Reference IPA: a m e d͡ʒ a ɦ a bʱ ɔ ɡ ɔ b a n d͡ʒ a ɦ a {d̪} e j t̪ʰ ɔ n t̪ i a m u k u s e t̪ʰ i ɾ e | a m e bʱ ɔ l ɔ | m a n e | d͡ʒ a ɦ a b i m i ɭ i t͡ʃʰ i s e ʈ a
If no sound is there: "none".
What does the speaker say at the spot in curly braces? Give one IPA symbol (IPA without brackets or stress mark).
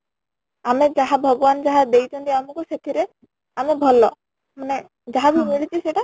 d̪